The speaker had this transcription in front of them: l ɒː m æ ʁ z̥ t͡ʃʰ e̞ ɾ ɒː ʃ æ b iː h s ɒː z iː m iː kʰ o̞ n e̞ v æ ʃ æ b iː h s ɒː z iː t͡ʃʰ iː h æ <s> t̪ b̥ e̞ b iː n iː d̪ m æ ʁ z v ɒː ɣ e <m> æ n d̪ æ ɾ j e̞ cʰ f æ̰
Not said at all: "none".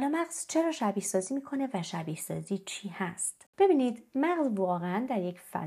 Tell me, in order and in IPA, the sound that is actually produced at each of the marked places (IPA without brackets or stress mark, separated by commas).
s, none